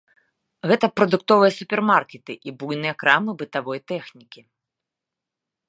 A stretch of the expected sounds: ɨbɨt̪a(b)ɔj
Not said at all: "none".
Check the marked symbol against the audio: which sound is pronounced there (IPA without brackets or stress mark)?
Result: v